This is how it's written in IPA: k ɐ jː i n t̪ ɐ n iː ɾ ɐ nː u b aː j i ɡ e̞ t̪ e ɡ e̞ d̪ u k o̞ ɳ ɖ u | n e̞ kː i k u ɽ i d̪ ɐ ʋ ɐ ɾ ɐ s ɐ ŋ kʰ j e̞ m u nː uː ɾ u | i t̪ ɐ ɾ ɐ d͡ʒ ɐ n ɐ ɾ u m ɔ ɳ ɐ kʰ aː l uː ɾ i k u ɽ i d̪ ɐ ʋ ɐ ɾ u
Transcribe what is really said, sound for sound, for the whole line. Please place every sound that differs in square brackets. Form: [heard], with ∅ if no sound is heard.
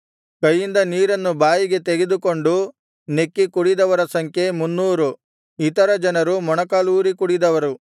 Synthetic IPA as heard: k ɐ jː i n [d̪] ɐ n iː ɾ ɐ nː u b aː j i ɡ e̞ t̪ e ɡ e̞ d̪ u k o̞ ɳ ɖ u | n e̞ kː i k u ɽ i d̪ ɐ ʋ ɐ ɾ ɐ s ɐ ŋ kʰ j e̞ m u nː uː ɾ u | i t̪ ɐ ɾ ɐ d͡ʒ ɐ n ɐ ɾ u m ɔ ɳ ɐ [k] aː l uː ɾ i k u ɽ i d̪ ɐ ʋ ɐ ɾ u